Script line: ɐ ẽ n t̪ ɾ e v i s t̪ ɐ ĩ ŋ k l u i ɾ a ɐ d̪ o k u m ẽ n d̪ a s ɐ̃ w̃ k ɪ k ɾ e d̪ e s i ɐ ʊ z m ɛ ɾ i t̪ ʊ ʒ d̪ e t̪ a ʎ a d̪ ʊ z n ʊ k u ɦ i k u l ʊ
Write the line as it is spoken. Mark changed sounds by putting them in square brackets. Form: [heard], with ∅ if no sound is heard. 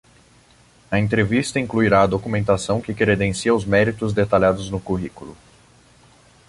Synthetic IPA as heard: ɐ ẽ n t̪ ɾ e v i s t̪ ɐ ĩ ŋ k l u i ɾ a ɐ d̪ o k u m ẽ n [t̪] a s ɐ̃ w̃ k ɪ k ɾ e d̪ [ẽ] s i ɐ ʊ z m ɛ ɾ i t̪ ʊ [z] d̪ e t̪ a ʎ a d̪ ʊ z n ʊ k u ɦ i k u l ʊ